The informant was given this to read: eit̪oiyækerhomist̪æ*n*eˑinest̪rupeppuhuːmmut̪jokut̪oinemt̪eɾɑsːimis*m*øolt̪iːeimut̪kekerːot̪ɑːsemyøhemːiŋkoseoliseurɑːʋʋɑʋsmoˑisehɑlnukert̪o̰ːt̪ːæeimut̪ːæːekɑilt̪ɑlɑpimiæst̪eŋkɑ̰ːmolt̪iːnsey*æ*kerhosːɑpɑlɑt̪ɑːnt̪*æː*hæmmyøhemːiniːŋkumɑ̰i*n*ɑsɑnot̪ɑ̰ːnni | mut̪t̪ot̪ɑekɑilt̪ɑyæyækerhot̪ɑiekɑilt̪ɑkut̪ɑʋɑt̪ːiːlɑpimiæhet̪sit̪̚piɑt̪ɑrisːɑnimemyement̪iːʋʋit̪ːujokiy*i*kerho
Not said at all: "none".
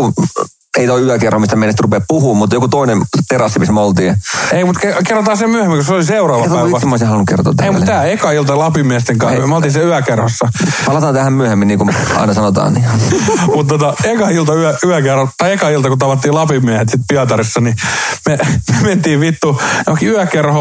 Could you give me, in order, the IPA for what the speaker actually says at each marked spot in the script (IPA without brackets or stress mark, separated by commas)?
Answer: m, m, æ, æ, n, æ